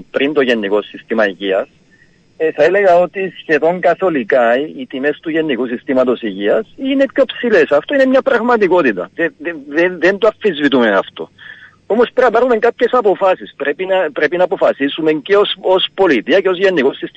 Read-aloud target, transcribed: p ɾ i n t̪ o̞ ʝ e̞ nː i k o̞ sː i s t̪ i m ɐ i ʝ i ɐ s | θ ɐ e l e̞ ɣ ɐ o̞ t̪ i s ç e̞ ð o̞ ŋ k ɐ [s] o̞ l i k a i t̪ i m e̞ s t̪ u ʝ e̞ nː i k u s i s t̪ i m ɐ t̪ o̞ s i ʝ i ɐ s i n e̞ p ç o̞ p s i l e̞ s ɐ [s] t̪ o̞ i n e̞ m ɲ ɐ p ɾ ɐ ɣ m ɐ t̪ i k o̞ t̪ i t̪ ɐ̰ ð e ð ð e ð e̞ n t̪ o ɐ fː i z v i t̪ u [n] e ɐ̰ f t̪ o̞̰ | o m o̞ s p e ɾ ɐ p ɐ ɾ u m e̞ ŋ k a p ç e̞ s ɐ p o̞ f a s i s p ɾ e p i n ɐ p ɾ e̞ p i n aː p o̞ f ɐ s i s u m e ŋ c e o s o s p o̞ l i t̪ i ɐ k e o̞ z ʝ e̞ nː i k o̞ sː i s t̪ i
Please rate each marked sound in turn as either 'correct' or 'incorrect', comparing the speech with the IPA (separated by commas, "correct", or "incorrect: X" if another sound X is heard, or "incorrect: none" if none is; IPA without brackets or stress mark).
incorrect: θ, incorrect: f, incorrect: m